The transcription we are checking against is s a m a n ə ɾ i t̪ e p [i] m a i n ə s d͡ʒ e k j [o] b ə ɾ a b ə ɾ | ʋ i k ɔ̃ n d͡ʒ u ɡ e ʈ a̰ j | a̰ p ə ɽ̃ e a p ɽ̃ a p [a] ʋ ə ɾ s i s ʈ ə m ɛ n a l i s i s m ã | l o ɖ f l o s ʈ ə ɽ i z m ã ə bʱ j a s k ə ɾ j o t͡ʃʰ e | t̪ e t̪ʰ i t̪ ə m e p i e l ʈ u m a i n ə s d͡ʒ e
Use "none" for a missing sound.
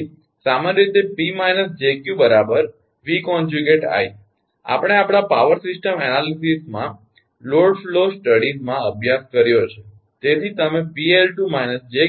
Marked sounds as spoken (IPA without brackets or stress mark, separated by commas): i, u, a